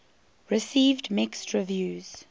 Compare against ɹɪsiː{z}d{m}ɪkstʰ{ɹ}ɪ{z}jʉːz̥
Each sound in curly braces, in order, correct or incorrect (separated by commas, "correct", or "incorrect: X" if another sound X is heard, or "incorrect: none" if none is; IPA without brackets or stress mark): incorrect: v, correct, correct, incorrect: v